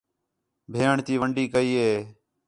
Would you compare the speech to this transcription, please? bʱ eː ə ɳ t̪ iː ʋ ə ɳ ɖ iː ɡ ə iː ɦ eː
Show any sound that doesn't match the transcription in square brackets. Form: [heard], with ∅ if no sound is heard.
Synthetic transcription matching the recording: bʱ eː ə ɳ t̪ iː ʋ ə ɳ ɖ iː [k] ə iː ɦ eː